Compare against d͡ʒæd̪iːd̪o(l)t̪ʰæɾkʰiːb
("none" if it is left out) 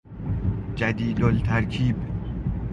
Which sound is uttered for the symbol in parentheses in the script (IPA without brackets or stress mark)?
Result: l